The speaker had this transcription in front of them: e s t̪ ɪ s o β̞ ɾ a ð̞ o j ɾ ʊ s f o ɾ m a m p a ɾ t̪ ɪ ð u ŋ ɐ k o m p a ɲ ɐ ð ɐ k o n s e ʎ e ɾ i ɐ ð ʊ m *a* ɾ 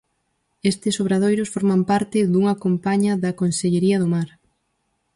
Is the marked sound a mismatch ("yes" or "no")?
no